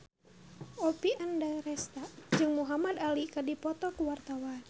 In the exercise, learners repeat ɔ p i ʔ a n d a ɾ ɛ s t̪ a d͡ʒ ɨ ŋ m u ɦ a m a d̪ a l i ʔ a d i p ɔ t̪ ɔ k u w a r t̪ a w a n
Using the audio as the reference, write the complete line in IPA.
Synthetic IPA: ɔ p i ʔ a n d a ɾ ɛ s t̪ a d͡ʒ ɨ ŋ m u ɦ a m a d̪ a l i k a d i p ɔ t̪ ɔ k u w a r t̪ a w a n

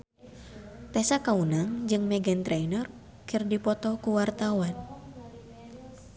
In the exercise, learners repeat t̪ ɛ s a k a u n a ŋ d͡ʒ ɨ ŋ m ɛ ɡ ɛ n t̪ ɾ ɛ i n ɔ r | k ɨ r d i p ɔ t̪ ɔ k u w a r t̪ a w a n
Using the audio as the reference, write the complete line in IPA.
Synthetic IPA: t̪ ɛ s a k a u n a ŋ d͡ʒ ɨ ŋ m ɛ ɡ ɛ n t̪ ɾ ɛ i n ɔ r | k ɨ r d i p ɔ t̪ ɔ k u w a r t̪ a w a n

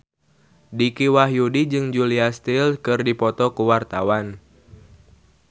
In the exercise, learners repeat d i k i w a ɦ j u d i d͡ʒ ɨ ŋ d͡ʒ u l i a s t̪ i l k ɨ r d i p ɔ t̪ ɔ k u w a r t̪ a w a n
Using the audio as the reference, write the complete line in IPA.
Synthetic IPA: d i k i w a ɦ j u d i d͡ʒ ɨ ŋ d͡ʒ u l i a s t̪ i l k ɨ r d i p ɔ t̪ ɔ k u w a r t̪ a w a n

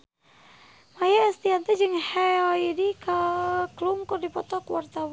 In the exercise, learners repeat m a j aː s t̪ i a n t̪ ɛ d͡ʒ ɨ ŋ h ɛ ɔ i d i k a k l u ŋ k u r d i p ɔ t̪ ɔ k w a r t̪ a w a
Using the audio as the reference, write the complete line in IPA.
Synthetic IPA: m a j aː s t̪ i a n t̪ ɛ d͡ʒ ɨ ŋ h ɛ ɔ i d i k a k l u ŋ k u r d i p ɔ t̪ ɔ k w a r t̪ a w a

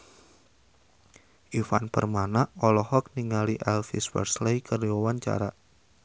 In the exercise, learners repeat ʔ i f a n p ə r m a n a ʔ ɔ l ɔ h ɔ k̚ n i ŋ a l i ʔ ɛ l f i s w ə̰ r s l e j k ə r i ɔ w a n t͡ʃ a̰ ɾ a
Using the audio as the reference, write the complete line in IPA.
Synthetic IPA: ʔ i f a n p ə r m a n a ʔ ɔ l ɔ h ɔ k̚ n i ŋ a l i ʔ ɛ l f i s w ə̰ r s l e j k ə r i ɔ w a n t͡ʃ a̰ ɾ a

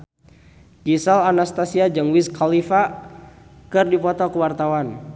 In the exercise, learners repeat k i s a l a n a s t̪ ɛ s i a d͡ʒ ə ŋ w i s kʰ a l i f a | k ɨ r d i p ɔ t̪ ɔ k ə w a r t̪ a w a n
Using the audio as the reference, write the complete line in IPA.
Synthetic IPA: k i s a l a n a s t̪ a s i a d͡ʒ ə ŋ w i s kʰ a l i f a | k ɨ r d i p ɔ t̪ ɔ k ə w a r t̪ a w a n

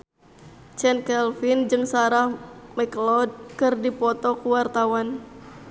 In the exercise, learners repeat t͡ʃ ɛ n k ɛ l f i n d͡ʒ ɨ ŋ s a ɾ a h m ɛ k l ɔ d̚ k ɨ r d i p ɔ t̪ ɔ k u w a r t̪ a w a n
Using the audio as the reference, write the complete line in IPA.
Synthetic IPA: t͡ʃ ɛ n k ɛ l f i n d͡ʒ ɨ ŋ s a ɾ a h m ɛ k l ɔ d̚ k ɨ r d i p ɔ t̪ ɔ k u w a r t̪ a w a n

